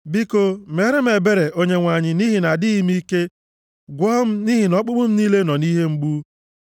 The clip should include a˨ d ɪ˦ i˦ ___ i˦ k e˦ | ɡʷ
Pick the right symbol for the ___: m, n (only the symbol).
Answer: m